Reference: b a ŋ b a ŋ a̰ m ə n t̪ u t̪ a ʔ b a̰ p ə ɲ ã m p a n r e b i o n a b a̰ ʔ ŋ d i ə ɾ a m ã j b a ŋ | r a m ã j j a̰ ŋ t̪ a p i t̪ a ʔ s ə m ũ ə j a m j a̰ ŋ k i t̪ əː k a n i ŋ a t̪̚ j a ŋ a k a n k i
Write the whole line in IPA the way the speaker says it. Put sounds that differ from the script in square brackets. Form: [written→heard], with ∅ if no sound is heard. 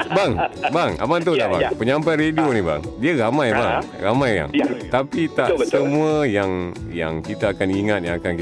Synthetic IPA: b a ŋ b a ŋ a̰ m [ə→a] n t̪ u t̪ a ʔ b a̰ p ə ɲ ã m p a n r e [b→d] i o n [a→i] b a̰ [ʔ→∅] ŋ d i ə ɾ a m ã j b a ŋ | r a m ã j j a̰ ŋ t̪ a p i t̪ a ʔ s ə m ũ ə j a [m→ŋ] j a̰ ŋ k i t̪ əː k a n i ŋ a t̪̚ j a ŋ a k a n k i